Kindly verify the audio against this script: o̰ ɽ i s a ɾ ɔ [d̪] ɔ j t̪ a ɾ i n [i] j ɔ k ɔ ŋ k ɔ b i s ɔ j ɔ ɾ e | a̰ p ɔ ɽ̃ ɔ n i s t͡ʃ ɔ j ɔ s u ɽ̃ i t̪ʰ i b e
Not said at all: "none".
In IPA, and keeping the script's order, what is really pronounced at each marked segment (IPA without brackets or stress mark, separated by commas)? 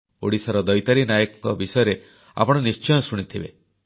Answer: d̪, a